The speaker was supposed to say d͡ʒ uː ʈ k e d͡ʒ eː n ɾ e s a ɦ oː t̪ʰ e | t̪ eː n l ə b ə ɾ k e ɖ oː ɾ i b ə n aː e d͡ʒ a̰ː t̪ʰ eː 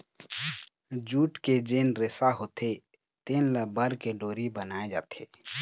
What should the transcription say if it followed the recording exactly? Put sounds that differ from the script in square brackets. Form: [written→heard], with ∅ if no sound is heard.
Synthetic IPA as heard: d͡ʒ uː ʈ k e d͡ʒ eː n ɾ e s a ɦ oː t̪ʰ e | t̪ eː n l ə b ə ɾ k e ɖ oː ɾ i b ə n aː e d͡ʒ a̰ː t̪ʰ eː